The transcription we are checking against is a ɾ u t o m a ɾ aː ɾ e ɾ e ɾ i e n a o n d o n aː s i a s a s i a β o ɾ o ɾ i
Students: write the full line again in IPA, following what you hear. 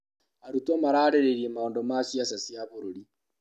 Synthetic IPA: a ɾ u t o m a ɾ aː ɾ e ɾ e ɾ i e m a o n d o m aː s i a s a s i a β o ɾ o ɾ i